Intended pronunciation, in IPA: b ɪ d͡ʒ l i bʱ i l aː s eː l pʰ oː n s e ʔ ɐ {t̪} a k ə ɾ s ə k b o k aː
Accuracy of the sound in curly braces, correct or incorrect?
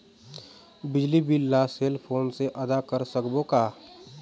incorrect: d̪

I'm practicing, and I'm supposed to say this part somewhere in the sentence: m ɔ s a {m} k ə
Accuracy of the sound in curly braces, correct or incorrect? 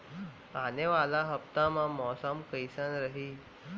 correct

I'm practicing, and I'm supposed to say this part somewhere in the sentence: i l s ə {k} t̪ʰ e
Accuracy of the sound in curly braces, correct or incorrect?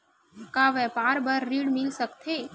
correct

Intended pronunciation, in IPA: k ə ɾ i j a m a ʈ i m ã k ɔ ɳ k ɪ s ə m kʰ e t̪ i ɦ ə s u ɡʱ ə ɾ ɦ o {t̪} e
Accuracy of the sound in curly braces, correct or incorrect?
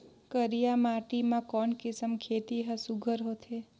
incorrect: t̪ʰ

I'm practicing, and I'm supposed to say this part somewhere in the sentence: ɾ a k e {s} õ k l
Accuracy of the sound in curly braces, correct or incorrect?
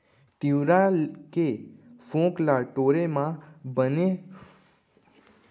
incorrect: f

